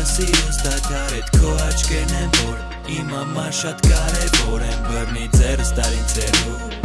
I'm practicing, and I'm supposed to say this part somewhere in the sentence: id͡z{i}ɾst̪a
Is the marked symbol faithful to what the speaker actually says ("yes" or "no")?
no